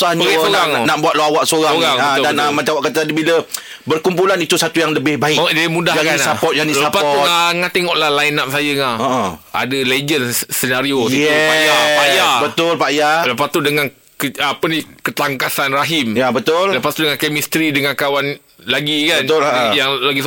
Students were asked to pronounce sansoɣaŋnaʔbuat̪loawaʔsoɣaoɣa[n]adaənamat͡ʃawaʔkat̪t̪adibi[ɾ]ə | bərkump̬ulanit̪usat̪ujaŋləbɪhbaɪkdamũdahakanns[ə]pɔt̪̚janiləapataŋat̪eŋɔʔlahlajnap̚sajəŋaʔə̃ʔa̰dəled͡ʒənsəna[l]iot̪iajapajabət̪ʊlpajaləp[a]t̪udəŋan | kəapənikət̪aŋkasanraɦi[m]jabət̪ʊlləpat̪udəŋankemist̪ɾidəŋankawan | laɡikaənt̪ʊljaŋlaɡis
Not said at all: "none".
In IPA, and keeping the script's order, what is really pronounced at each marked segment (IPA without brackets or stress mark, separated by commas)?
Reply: ŋ, l, a, ɾ, a, m